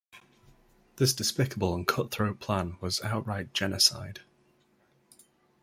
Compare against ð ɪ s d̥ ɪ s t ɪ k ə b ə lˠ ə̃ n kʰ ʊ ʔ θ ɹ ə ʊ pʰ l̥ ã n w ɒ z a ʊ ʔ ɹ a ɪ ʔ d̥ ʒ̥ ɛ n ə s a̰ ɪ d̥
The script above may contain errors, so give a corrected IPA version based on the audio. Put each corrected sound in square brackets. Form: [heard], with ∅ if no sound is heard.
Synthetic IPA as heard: ð ɪ s d̥ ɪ s [p] ɪ k ə b ə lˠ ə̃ n kʰ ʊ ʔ θ ɹ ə ʊ pʰ l̥ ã n w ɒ z a ʊ ʔ ɹ a ɪ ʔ d̥ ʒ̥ ɛ n ə s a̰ ɪ d̥